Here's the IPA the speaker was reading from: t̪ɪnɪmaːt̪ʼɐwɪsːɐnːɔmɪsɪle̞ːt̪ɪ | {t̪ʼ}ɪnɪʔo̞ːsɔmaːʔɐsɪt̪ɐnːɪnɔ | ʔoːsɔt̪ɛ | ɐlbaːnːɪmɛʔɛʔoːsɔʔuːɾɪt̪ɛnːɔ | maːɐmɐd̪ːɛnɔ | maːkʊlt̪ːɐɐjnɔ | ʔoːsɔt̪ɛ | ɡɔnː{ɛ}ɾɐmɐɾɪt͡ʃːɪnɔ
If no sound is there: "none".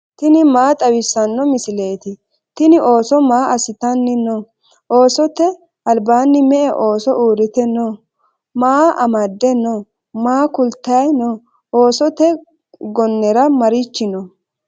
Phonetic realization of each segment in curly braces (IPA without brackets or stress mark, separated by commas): t̪, ɛ